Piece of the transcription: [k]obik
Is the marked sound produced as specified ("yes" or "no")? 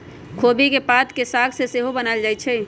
no